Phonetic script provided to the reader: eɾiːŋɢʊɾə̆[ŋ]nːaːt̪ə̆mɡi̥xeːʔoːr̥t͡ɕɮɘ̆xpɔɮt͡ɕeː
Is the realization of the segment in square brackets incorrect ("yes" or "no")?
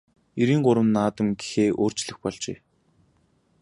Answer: yes